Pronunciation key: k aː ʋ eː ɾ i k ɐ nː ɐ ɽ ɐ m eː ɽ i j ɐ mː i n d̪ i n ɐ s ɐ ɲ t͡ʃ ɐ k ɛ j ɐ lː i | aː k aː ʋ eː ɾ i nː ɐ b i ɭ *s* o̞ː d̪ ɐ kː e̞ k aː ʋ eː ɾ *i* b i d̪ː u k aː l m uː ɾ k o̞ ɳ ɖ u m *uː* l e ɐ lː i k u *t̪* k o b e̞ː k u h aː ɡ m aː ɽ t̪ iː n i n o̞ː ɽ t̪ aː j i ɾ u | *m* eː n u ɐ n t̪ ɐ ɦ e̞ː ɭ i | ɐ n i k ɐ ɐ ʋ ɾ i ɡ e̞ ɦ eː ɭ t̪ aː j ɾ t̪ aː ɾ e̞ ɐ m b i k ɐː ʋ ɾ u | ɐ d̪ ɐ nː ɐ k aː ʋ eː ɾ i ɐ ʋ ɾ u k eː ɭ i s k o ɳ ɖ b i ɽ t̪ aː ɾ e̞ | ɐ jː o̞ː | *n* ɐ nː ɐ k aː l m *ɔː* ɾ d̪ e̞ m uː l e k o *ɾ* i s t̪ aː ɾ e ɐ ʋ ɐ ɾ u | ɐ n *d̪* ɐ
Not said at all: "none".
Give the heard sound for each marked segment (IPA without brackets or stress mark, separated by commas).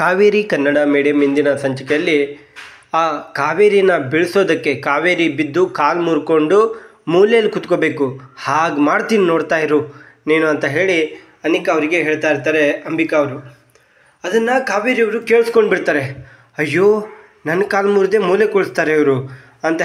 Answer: s, i, uː, t̪, n, n, uː, ɭ, t̪